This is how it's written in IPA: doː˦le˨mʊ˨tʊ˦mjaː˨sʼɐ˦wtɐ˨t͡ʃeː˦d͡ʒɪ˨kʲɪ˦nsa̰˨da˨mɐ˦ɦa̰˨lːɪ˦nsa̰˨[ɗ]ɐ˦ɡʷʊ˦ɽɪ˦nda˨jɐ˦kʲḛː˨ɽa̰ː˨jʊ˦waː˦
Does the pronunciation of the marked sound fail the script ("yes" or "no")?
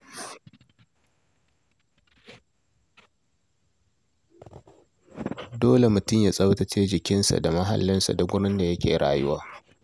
yes